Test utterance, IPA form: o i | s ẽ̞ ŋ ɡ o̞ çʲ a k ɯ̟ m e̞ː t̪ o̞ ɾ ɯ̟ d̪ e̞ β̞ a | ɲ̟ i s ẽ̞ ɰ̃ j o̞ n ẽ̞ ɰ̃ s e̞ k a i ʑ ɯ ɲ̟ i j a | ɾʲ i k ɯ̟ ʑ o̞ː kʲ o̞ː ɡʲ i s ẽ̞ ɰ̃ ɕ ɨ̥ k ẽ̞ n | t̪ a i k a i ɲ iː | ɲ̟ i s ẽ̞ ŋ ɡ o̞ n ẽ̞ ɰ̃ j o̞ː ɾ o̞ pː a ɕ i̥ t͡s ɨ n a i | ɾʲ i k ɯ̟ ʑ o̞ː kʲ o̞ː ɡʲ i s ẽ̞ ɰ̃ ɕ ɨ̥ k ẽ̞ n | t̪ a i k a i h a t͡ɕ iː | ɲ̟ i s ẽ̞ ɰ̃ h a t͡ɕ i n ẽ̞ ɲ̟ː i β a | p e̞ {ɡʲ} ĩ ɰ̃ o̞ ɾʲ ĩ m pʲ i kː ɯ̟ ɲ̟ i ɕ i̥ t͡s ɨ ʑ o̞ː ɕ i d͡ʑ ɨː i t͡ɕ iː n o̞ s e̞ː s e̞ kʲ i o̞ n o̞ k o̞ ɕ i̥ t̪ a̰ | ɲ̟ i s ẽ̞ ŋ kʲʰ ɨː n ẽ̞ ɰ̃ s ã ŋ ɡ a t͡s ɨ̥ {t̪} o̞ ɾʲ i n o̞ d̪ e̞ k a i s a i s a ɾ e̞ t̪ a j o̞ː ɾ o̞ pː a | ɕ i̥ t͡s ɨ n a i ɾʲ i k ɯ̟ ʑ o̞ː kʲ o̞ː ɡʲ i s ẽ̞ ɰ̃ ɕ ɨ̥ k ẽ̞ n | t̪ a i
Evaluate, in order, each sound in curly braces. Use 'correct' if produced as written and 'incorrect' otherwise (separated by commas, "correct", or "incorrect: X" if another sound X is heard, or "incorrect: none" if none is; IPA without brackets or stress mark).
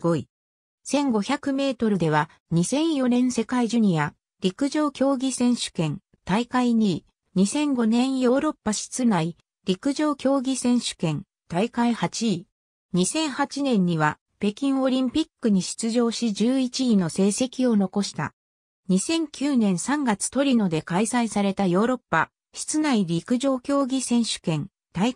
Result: incorrect: kʲ, correct